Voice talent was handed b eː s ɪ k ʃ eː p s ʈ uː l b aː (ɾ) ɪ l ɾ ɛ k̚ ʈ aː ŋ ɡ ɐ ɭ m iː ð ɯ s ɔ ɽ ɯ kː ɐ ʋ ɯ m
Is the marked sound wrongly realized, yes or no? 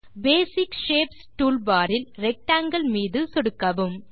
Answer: no